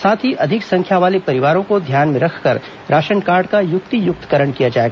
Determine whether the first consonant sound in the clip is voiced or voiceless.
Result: voiceless